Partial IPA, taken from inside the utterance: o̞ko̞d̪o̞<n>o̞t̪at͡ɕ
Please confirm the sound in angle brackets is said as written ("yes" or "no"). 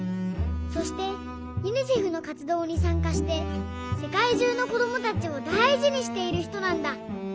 no